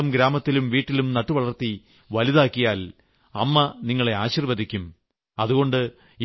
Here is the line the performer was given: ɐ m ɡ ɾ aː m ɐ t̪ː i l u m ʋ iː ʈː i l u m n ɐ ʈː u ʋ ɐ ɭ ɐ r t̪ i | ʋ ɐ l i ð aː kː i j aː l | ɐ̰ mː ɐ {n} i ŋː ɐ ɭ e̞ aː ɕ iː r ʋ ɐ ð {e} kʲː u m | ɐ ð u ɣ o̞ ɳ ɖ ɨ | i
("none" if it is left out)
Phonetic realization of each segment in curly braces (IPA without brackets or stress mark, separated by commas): n, i